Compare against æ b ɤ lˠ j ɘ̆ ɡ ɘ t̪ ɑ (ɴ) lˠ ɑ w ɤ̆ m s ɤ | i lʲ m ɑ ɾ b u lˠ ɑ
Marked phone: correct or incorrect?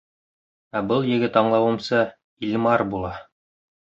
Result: correct